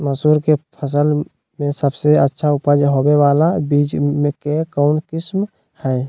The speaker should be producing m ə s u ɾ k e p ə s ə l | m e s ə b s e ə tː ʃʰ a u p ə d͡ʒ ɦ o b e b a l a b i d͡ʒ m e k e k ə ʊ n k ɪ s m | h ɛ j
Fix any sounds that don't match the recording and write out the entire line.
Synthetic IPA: m ə s u ɾ k e pʰ ə s ə l | m e s ə b s e ə tː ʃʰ a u p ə d͡ʒ ɦ o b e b a l a b i d͡ʒ m e k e k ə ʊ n k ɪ s m | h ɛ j

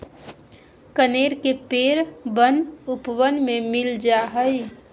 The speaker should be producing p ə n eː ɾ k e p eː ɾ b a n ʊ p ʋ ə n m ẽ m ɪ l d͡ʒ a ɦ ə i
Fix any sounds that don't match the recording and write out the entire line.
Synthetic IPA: k ə n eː ɾ k e p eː ɾ b ə n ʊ p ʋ ə n m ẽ m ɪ l d͡ʒ a ɦ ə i

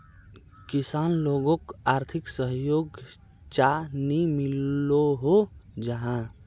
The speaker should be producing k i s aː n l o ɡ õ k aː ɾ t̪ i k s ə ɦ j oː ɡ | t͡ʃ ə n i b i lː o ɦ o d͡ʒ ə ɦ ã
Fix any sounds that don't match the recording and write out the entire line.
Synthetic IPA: k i s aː n l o ɡ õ k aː ɾ t̪ʰ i k s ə ɦ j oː ɡ | t͡ʃ a n i m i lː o ɦ o d͡ʒ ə ɦ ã

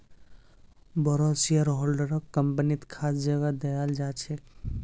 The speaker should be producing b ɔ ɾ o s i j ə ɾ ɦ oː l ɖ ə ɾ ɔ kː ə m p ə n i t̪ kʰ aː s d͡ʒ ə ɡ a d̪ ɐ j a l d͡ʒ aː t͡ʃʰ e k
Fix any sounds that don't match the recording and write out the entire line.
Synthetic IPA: b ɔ ɾ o s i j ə ɾ ɦ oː l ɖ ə ɾ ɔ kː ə m p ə n i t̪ kʰ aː s d͡ʒ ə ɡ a d̪ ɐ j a l d͡ʒ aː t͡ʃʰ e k

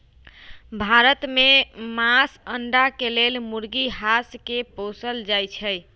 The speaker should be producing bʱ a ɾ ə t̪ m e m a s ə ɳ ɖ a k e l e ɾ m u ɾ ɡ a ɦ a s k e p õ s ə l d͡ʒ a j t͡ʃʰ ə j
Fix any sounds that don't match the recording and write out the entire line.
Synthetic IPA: bʱ a ɾ ə t̪ m e m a s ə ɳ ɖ a k e l e l m u ɾ ɡ i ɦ a s k e p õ s ə l d͡ʒ a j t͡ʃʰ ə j

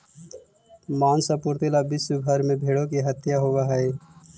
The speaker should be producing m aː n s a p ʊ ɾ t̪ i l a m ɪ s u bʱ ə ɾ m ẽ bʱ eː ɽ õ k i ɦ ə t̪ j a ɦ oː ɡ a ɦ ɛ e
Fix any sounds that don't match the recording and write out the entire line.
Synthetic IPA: m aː n s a p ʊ ɾ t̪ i l a b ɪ s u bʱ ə ɾ m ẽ bʱ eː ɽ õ k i ɦ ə t̪ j a ɦ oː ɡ a ɦ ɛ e

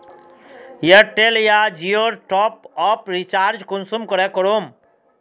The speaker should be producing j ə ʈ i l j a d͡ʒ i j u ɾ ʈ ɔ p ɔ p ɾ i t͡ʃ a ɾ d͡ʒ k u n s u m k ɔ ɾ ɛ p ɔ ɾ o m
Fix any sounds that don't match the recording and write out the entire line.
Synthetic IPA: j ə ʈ e l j a d͡ʒ i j o ɾ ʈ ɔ p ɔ p ɾ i t͡ʃ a ɾ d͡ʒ k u n s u m k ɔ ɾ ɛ k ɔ ɾ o m

